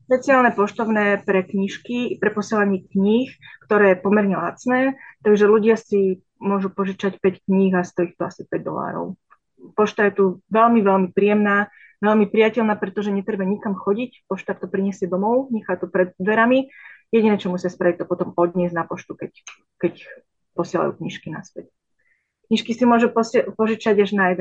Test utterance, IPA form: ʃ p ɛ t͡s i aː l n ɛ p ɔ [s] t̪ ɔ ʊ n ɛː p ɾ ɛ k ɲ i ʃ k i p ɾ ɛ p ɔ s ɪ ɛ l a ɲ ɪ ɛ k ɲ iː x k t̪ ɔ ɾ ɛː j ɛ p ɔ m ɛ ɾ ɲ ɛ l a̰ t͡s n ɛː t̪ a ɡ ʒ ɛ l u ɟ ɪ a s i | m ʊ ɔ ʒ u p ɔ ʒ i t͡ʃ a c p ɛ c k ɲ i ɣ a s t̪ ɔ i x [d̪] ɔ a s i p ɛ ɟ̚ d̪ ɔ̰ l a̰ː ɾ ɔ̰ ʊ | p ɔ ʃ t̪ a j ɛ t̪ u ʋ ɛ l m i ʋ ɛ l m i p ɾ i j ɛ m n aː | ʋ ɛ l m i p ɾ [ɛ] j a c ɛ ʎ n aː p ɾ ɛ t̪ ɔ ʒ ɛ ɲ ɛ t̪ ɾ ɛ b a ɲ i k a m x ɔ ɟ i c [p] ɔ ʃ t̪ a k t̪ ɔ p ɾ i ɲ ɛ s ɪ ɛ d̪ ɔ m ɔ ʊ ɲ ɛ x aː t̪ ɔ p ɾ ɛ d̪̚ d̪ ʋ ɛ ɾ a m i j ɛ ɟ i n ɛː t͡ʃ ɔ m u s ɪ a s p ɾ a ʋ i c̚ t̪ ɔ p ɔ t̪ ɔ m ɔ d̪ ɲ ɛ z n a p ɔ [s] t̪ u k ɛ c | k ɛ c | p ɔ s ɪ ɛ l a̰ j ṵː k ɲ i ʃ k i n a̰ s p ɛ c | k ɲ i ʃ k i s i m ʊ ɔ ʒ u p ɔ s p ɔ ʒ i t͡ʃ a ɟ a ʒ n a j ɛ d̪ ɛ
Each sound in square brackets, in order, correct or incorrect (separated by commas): incorrect, incorrect, incorrect, correct, incorrect